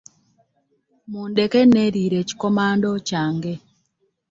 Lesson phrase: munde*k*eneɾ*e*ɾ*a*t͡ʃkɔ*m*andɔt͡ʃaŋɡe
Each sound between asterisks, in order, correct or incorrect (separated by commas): correct, incorrect, incorrect, correct